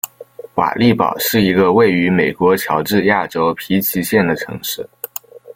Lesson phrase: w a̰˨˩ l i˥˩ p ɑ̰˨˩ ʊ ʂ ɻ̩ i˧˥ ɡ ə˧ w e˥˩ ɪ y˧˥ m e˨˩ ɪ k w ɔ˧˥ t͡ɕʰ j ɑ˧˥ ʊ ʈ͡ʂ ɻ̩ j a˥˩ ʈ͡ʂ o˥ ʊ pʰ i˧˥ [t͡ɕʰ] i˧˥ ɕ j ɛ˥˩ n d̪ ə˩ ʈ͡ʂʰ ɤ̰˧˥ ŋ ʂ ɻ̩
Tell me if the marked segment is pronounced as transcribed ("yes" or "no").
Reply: yes